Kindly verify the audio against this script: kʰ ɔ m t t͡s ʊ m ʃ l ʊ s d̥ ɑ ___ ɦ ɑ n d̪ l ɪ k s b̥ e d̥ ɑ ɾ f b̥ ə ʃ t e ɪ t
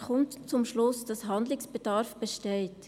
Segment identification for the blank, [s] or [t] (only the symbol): s